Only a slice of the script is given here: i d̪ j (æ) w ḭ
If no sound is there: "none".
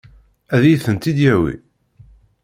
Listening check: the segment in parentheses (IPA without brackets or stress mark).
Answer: æ